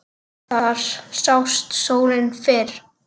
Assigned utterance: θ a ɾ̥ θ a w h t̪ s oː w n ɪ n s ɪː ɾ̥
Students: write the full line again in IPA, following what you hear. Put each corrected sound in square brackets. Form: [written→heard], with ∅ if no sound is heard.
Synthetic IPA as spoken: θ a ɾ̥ [θ→s] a w [h→s] t̪ s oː w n ɪ n [s→f] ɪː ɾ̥